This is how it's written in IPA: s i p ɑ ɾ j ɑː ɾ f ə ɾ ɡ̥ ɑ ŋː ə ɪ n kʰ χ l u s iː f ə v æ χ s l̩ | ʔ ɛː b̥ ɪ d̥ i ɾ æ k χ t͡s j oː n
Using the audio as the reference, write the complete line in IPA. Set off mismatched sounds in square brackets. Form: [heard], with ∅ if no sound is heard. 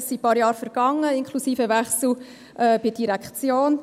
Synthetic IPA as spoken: s i p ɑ ɾ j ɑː ɾ f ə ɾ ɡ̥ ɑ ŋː ə ɪ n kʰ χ l u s iː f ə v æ χ s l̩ | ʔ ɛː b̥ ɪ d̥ i ɾ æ k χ t͡s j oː n